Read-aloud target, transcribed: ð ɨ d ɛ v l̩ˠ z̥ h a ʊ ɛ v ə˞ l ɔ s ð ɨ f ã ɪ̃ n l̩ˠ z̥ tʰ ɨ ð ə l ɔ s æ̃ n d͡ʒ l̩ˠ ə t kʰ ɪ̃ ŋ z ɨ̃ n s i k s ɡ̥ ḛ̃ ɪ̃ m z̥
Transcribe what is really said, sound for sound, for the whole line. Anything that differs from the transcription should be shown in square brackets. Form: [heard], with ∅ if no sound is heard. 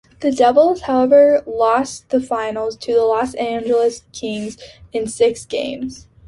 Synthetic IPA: ð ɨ d ɛ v l̩ˠ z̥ h a ʊ ɛ v ə˞ l ɔ s ð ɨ f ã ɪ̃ n l̩ˠ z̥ tʰ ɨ ð ə l ɔ s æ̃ n d͡ʒ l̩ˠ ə [s] kʰ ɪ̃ ŋ z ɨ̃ n s [ɪ] k s ɡ̥ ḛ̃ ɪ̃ m z̥